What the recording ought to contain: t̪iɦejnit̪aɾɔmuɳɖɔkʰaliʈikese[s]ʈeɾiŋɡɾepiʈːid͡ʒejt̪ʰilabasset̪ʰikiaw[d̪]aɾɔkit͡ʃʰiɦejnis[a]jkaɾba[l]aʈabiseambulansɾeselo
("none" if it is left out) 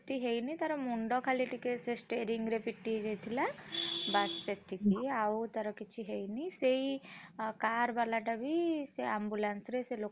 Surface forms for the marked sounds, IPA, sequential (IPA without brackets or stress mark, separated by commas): s, t̪, e, l